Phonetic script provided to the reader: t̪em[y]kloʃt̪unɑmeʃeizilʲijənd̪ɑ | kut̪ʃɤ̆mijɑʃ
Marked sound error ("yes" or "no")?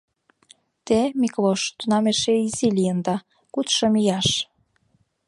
yes